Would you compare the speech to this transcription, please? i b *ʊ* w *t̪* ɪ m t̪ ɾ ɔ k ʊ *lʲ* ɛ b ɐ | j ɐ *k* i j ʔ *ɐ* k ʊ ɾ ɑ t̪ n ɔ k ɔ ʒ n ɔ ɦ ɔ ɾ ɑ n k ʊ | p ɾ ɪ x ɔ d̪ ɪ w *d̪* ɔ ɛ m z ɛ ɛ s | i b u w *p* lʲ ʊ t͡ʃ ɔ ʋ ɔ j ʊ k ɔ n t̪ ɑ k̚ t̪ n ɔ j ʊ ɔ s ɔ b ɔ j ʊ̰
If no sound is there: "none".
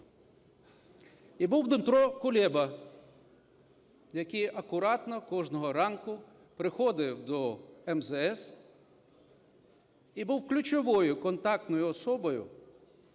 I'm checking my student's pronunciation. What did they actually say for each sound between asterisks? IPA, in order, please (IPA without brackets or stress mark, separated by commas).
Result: u, d̪, lʲ, k, ɐ, d̪, k